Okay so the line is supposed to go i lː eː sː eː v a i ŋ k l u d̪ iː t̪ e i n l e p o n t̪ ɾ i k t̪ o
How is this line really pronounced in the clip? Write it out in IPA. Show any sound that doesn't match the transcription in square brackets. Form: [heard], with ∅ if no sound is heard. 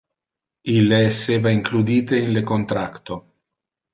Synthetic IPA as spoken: i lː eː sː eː v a i ŋ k l u d̪ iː t̪ e i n l e [k] o n t̪ ɾ [a] k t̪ o